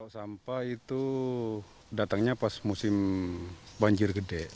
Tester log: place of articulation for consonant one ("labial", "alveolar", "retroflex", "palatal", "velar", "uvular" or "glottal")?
alveolar